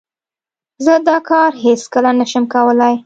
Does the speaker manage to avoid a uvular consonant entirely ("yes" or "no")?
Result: yes